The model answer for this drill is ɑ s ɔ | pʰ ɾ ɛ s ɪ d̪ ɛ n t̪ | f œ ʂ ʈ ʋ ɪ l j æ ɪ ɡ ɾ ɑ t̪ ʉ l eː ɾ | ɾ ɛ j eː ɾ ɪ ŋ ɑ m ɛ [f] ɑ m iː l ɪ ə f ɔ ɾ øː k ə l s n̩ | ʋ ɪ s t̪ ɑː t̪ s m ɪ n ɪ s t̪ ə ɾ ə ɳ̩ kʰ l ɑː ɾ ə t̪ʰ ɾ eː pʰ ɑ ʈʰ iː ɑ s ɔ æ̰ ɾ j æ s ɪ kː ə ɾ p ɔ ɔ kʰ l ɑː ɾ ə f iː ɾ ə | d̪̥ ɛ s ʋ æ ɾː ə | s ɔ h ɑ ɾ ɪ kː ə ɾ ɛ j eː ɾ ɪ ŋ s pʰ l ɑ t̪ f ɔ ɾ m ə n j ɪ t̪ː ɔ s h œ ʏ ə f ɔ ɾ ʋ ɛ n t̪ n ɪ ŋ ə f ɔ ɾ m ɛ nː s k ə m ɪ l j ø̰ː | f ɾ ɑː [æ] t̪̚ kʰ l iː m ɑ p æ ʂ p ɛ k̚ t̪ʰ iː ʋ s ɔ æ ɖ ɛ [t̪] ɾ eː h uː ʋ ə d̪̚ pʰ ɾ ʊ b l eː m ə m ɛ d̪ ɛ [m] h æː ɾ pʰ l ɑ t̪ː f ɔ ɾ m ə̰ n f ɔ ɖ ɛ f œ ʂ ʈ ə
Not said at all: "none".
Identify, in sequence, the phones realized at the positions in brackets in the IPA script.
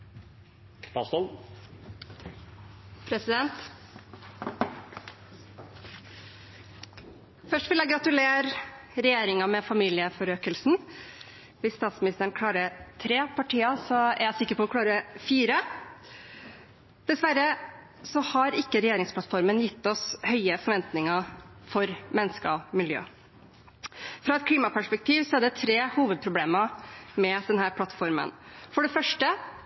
f, ɛ, t̪ʰ, n

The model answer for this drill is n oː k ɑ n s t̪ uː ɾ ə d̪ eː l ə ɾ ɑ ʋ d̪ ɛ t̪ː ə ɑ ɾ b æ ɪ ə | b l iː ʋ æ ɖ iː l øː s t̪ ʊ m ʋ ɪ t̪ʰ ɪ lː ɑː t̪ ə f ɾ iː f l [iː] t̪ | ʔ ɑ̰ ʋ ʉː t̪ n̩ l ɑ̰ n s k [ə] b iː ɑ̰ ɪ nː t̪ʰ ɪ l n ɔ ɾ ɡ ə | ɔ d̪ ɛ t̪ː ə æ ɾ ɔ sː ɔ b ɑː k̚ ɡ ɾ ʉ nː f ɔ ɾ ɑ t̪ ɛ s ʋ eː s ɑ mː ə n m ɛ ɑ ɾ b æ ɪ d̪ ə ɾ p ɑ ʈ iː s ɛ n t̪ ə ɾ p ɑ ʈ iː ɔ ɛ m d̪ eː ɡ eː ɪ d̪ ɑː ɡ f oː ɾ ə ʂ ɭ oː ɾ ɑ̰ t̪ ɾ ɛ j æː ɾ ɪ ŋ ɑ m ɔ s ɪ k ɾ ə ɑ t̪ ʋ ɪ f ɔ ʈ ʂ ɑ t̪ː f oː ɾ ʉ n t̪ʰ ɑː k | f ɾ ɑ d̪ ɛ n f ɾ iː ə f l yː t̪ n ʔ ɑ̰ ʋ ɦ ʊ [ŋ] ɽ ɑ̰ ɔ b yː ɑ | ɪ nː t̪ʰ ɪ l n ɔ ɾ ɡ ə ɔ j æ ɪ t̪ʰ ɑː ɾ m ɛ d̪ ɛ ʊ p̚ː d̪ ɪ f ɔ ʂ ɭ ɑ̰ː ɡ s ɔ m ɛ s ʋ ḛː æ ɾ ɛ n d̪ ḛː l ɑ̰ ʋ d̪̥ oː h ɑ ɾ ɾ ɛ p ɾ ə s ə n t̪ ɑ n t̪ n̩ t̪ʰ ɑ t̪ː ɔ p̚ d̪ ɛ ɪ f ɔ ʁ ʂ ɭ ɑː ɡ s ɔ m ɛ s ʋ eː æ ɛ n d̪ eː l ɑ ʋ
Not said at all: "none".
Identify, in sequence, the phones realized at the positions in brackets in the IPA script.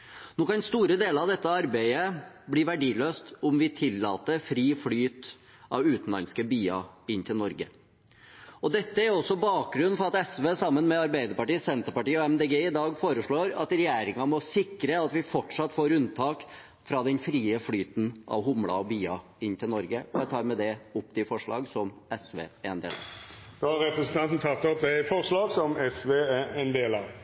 yː, ə, m

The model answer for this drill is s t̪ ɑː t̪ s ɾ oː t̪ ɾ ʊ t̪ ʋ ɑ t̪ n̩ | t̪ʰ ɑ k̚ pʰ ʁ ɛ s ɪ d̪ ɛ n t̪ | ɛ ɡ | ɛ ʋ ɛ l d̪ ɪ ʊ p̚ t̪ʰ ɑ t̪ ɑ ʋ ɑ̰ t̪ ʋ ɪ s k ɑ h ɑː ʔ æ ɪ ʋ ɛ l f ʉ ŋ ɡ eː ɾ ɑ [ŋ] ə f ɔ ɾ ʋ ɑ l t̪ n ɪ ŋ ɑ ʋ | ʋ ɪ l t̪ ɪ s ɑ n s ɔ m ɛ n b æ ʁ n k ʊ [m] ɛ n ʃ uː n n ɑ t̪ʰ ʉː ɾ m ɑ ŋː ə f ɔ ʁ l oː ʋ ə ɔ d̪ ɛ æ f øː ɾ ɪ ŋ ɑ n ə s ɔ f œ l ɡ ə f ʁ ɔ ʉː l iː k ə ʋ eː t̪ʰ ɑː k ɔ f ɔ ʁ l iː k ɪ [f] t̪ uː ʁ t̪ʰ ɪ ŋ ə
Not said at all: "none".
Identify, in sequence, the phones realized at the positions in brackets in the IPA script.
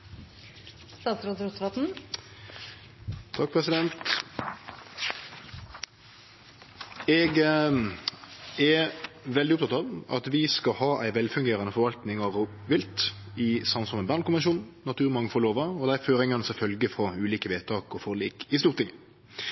n, m, s

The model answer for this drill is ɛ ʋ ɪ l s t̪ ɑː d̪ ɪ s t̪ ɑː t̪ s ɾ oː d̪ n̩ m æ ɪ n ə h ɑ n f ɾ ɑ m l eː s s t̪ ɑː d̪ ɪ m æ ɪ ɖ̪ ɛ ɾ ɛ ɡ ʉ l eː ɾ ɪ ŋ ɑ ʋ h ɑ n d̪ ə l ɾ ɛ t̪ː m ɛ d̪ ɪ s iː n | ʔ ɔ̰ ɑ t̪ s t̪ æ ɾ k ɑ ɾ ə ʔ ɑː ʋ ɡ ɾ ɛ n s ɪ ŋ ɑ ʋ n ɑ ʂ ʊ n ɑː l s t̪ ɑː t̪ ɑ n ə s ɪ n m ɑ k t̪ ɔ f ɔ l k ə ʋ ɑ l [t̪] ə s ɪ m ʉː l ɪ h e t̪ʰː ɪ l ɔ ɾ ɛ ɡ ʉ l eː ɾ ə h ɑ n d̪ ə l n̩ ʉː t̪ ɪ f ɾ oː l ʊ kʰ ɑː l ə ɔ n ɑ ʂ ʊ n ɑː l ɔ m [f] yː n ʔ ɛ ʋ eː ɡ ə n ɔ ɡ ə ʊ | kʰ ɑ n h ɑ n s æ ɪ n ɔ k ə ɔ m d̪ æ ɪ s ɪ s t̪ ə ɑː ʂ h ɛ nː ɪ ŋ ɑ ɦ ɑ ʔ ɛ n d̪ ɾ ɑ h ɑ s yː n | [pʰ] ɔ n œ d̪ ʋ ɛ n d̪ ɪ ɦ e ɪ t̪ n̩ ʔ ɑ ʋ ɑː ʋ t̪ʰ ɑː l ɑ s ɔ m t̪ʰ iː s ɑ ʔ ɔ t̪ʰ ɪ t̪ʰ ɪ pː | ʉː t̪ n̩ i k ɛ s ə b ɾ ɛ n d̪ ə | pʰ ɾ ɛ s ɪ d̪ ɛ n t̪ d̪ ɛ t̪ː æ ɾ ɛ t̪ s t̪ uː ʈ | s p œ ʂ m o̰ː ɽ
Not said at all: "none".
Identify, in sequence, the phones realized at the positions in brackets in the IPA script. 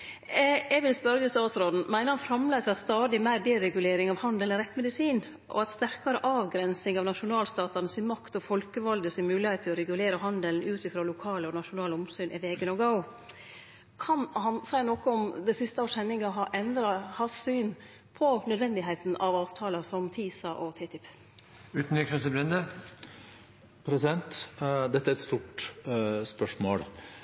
d̪, s, pʰ

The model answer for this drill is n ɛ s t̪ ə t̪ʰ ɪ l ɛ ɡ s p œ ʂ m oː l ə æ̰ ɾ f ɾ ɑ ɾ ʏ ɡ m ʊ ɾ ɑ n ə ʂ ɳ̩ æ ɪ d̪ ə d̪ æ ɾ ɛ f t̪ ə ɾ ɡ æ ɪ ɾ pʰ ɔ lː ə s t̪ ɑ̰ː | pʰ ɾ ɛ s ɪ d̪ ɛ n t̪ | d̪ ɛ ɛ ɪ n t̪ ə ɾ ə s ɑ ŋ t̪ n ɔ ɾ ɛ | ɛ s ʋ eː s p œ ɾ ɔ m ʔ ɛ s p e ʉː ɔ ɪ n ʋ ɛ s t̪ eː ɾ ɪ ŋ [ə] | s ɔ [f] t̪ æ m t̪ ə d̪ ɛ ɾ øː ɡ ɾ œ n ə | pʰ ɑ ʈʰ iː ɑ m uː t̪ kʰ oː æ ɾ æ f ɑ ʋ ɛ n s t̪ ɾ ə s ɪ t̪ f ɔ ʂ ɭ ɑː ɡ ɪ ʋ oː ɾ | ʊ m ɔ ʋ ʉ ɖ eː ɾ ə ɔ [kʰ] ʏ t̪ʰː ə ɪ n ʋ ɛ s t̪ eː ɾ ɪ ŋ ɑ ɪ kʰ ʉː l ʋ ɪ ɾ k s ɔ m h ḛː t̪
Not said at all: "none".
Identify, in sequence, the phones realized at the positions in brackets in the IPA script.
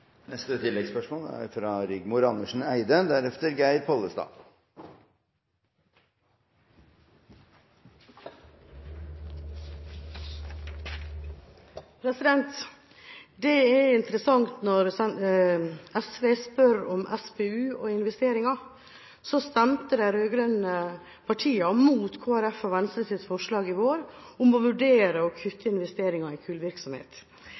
ɑ, s, kʰ

